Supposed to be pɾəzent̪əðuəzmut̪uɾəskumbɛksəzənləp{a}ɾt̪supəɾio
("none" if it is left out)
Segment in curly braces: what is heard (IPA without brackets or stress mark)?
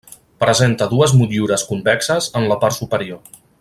a